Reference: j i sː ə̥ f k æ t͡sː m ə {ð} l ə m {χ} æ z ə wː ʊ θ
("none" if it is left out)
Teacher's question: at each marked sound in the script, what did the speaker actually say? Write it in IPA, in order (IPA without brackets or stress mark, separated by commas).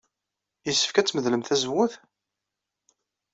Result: ð, θ